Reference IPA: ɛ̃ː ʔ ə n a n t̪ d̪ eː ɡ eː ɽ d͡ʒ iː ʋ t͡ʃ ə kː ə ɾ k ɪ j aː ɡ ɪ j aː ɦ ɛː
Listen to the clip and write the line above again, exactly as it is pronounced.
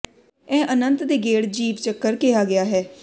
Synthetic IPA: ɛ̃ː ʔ ə n ə n t̪ d̪ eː ɡ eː ɽ d͡ʒ iː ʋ t͡ʃ ə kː ə ɾ k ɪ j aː ɡ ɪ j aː ɦ ɛː